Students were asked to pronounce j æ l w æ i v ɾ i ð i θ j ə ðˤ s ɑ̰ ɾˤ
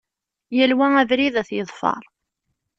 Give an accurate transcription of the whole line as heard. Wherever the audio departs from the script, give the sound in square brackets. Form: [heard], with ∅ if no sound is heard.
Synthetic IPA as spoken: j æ l w æ [æ] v ɾ i ð [æ] θ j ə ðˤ [f] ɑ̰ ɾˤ